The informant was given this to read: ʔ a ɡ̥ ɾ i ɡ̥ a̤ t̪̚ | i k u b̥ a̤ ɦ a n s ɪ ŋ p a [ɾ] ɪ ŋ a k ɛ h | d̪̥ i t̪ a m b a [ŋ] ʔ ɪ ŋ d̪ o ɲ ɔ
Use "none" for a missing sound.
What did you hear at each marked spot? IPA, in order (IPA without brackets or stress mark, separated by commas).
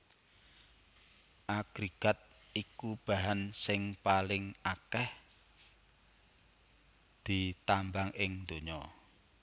l, ŋ